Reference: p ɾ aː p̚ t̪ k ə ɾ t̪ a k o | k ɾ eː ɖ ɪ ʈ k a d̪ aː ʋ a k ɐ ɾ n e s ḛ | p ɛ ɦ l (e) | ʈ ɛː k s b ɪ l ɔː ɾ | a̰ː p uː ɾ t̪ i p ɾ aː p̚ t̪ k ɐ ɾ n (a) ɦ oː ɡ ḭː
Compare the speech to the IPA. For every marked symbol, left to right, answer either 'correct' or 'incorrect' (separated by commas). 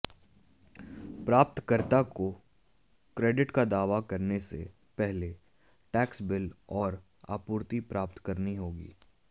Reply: correct, incorrect